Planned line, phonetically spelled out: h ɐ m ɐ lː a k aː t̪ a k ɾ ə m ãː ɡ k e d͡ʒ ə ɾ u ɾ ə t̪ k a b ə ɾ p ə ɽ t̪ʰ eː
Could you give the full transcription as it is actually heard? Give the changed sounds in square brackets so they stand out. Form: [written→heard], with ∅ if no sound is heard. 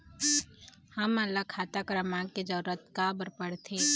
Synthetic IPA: h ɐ m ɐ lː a [k→kʰ] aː t̪ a k ɾ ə m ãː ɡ k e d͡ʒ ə ɾ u ɾ ə t̪ k a b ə ɾ p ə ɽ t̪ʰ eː